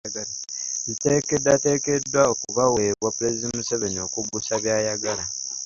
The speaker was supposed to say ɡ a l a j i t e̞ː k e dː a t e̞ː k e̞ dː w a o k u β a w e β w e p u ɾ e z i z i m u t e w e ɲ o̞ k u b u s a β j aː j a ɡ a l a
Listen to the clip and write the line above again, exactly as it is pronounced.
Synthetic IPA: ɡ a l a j i t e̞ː k e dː a t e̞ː k e̞ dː w a o k u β a w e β w a p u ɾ e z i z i m u s e β e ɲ o̞ k u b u s a β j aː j a ɡ a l a

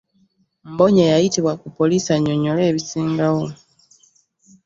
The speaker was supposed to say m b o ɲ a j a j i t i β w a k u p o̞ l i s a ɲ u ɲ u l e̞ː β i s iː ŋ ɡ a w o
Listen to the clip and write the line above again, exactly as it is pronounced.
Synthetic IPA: m b o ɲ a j a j i t i β w a k u p o̞ l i s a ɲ o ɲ o l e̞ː β i s iː ŋ ɡ a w o

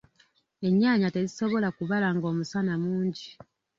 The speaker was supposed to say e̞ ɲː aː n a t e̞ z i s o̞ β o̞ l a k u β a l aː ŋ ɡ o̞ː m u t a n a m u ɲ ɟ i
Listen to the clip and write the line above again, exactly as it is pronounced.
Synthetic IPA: e̞ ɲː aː ɲ a t e̞ z i s o̞ β o̞ l a k u β a l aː ŋ ɡ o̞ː m u s a n a m uː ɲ ɟ i

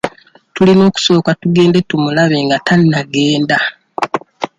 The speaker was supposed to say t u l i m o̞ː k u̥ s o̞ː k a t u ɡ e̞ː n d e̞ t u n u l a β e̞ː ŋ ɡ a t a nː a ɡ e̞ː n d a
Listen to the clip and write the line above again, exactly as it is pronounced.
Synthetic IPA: t u l i n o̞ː k u̥ s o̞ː k a t u ɡ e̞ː n d e̞ t u m u l a β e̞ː ŋ ɡ a t a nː a ɡ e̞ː n d a

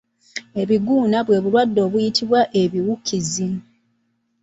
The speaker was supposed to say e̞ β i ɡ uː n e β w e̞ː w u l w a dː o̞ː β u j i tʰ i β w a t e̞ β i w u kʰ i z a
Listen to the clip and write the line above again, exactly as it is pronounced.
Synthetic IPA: e̞ β i ɡ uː n a β w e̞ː β u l w a dː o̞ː β u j i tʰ i β w a ʔ e̞ β i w u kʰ i z i

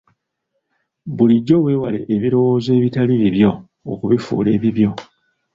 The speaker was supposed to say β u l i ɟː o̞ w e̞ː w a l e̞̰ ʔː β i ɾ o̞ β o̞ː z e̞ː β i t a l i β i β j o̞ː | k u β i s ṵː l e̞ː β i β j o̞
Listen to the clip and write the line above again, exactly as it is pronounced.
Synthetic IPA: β u l i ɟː o̞ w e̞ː w a l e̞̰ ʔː β i ɾ o̞ w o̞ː z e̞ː β i t a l i β i β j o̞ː | k u β i f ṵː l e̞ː β i β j o̞

